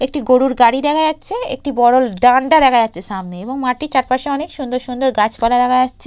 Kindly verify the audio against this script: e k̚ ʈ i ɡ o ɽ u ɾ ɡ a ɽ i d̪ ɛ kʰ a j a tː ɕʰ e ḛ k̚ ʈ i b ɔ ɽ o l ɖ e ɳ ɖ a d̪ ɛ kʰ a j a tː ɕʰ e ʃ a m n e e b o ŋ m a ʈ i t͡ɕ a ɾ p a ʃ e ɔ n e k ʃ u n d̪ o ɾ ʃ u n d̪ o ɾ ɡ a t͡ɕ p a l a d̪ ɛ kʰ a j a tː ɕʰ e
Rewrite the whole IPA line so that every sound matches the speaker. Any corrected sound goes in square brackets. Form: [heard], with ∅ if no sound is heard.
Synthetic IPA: e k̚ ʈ i ɡ o ɽ u ɾ ɡ a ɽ i d̪ ɛ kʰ a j a tː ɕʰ e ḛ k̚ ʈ i b ɔ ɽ o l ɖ [a] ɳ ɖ a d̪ ɛ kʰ a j a tː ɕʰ e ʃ a m n e e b o ŋ m a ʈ i t͡ɕ a ɾ p a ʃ e ɔ n e k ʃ u n d̪ o ɾ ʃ u n d̪ o ɾ ɡ a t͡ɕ p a l a d̪ ɛ kʰ a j a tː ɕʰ e

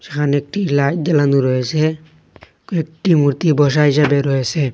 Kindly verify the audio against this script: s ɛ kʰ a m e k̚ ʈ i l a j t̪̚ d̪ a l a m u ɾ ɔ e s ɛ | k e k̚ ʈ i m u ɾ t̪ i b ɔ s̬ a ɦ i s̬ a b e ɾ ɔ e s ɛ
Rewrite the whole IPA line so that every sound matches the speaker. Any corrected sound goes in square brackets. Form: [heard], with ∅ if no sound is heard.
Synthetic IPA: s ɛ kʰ a [n] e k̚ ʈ i l a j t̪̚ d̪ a l a [n] u ɾ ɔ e s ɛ | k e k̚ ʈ i m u ɾ t̪ i b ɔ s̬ a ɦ i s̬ a b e ɾ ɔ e s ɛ

